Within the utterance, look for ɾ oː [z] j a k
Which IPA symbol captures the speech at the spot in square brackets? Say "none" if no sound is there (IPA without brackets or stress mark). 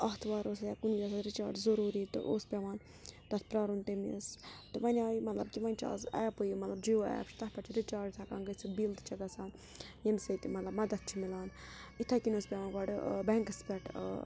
s